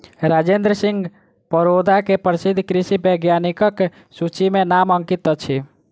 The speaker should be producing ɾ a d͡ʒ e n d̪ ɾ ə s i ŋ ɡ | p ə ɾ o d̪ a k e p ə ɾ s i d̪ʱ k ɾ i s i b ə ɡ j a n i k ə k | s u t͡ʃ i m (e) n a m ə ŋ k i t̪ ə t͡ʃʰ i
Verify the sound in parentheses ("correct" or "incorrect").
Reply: correct